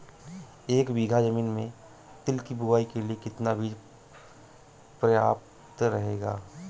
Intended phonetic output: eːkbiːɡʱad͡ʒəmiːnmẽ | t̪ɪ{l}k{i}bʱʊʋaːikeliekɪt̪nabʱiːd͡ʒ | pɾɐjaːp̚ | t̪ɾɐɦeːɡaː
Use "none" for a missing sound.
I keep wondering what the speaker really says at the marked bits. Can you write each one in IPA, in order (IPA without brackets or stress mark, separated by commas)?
l, i